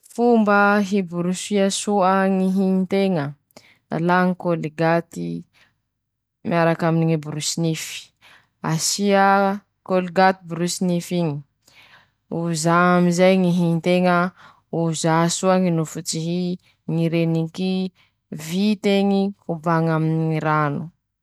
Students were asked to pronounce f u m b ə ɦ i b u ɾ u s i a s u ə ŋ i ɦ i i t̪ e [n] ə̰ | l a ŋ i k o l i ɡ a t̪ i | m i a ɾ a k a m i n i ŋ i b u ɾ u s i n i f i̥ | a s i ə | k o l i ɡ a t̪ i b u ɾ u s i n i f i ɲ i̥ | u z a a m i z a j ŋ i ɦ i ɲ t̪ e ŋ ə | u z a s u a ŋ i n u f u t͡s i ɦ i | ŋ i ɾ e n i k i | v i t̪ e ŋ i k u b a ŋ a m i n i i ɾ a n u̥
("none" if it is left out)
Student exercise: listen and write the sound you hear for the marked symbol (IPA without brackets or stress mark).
ŋ